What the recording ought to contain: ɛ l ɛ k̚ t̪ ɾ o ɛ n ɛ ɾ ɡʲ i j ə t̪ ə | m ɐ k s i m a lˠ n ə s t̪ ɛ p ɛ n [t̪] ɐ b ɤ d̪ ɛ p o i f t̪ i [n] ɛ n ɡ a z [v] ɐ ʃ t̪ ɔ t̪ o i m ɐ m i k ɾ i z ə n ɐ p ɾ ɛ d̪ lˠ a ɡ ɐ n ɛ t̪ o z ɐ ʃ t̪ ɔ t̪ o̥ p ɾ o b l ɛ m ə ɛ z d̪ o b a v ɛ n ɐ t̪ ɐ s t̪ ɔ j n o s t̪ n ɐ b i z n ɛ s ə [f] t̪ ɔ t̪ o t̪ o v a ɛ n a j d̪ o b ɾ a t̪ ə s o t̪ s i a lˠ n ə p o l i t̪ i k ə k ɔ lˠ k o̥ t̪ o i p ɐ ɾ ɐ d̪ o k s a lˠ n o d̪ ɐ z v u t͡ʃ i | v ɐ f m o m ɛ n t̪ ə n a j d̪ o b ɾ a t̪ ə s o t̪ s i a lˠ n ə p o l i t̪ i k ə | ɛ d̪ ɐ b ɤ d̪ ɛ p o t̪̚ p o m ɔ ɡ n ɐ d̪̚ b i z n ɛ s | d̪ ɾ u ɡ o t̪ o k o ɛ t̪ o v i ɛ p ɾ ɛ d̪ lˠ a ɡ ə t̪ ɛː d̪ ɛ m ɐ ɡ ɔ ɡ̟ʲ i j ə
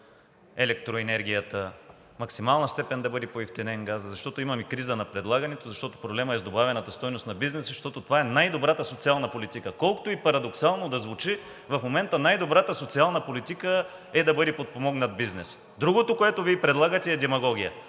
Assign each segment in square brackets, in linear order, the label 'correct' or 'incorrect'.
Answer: incorrect, correct, incorrect, incorrect

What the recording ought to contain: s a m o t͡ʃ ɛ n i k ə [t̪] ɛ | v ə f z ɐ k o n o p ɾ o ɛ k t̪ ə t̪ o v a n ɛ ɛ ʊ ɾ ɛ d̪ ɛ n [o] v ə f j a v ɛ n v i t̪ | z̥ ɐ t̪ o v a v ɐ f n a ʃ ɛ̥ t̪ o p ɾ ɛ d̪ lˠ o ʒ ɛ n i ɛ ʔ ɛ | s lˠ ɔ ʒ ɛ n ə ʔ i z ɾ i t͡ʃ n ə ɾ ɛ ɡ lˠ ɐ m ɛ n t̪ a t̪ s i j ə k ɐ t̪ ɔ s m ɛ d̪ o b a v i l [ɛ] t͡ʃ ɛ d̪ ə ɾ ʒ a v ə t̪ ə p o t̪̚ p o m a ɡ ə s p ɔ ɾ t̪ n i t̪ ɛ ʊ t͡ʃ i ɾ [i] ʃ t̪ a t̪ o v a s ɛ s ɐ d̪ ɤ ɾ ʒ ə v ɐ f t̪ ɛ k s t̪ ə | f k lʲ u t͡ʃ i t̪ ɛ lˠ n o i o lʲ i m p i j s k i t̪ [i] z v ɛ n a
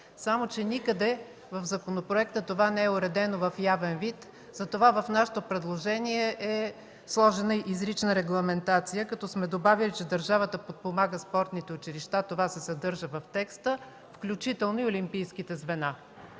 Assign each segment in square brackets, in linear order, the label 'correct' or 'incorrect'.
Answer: incorrect, correct, incorrect, correct, incorrect

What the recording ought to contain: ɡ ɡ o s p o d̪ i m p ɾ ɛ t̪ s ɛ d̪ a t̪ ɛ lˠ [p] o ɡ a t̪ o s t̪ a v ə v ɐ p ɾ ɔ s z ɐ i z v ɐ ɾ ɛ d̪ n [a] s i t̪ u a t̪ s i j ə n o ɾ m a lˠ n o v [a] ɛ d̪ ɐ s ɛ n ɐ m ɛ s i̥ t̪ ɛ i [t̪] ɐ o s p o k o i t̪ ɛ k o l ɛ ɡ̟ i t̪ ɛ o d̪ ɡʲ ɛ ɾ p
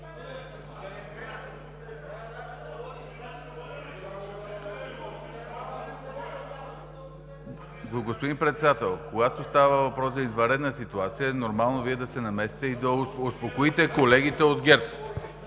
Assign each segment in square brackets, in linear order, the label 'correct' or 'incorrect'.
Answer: incorrect, incorrect, incorrect, incorrect

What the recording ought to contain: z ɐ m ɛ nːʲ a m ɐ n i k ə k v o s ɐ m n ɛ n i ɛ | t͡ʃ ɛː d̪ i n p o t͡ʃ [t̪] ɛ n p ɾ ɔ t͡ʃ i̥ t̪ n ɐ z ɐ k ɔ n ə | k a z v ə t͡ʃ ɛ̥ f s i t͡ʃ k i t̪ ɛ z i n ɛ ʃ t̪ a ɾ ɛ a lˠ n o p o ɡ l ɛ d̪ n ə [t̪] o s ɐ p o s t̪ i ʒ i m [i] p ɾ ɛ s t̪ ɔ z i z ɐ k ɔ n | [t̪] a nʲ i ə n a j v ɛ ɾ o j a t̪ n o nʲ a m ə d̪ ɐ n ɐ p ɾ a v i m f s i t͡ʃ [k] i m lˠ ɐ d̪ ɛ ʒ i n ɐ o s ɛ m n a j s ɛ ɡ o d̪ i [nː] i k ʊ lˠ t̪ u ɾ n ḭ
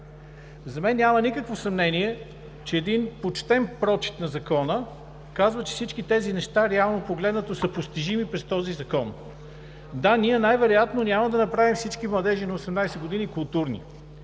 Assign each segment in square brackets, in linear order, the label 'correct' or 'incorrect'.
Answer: correct, correct, correct, incorrect, correct, incorrect

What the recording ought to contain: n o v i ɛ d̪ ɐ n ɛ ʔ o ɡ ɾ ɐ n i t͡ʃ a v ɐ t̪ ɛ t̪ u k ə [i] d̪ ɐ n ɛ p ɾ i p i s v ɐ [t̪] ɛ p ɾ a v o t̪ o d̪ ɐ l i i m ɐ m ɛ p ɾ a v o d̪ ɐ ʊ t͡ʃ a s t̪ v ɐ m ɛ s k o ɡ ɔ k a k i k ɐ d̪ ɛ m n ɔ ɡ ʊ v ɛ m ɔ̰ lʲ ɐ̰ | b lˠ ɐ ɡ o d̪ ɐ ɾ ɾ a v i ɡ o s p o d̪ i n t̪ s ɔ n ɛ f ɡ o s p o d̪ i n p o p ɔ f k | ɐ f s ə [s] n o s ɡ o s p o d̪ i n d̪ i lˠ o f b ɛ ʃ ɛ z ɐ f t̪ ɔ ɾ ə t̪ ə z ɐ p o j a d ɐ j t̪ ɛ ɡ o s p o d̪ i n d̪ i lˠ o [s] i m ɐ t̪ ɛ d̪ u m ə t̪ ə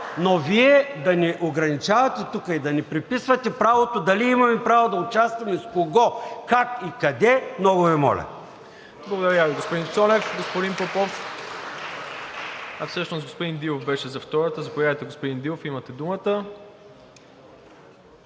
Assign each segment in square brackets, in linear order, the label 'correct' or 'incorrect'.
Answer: correct, correct, incorrect, incorrect

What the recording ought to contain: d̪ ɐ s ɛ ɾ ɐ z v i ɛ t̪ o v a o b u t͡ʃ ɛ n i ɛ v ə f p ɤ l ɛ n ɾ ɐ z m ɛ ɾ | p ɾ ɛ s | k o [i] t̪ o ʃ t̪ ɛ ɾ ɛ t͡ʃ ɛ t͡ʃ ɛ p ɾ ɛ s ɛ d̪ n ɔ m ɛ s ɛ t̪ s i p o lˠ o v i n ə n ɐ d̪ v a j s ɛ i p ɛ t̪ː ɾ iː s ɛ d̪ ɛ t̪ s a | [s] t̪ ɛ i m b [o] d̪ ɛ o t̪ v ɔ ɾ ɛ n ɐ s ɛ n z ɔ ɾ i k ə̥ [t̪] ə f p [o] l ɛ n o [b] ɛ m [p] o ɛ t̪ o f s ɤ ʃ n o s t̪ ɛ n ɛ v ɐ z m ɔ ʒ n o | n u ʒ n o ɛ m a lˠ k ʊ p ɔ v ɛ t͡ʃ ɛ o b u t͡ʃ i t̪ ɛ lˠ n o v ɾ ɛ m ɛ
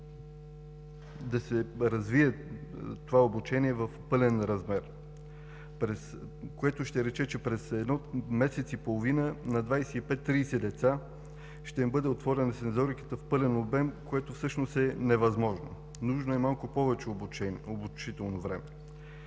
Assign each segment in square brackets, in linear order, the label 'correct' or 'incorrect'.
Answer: incorrect, incorrect, incorrect, correct, incorrect, correct, incorrect

